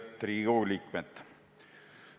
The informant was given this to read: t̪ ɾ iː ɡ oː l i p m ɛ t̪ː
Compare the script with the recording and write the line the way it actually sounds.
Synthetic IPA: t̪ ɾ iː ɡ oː l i k m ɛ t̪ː